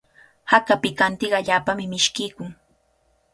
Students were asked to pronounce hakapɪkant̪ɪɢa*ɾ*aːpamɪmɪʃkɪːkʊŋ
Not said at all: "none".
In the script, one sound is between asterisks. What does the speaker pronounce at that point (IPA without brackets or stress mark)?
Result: ʎ